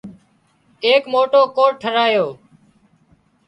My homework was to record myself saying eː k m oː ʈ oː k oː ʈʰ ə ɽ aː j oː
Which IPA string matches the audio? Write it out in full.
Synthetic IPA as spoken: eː k m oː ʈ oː k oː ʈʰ ə ɾ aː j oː